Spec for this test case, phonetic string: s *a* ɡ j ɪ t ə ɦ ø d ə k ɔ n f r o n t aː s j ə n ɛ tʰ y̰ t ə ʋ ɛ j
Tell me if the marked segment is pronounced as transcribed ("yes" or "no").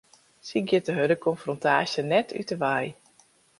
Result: no